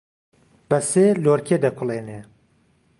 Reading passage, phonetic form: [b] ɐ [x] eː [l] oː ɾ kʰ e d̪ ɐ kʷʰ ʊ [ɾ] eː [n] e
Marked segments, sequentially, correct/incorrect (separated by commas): correct, incorrect, correct, incorrect, correct